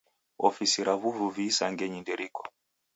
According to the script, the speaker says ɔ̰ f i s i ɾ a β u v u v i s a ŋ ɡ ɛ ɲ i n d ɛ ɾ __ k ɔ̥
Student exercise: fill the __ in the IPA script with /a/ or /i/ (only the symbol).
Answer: i